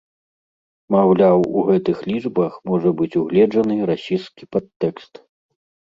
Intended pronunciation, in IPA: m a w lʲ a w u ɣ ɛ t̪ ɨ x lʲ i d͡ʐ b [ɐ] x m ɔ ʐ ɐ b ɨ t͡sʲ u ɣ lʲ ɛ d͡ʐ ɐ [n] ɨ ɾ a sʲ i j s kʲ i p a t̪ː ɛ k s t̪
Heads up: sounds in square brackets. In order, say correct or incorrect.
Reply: correct, correct

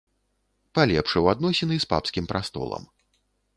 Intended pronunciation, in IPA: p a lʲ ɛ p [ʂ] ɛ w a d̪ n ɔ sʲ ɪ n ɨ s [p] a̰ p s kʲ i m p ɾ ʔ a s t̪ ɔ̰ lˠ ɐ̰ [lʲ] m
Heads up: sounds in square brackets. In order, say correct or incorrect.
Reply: correct, correct, incorrect

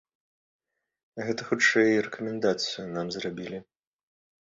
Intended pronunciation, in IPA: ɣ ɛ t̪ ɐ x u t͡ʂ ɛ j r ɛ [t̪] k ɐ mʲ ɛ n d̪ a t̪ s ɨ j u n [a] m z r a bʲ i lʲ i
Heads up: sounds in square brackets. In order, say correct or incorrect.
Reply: incorrect, correct

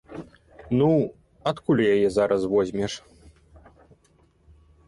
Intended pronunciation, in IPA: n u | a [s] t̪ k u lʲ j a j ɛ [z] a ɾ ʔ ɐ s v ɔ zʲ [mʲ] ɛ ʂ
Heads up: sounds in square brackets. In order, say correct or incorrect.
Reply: incorrect, correct, correct

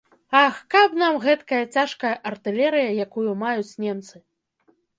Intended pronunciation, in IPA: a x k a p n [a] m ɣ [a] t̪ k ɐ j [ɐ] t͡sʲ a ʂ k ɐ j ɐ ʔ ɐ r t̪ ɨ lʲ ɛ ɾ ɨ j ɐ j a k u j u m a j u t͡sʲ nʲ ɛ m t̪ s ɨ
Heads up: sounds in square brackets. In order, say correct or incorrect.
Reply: correct, incorrect, correct

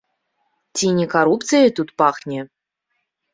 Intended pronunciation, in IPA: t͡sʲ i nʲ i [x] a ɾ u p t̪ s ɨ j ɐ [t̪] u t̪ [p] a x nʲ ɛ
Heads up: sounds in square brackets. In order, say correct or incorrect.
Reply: incorrect, correct, correct

